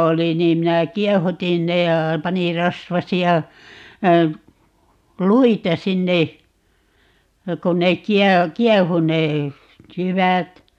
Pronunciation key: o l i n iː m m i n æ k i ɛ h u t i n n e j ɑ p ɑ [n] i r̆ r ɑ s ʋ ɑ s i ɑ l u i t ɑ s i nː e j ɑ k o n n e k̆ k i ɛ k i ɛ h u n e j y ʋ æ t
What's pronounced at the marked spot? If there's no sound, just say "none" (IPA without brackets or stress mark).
n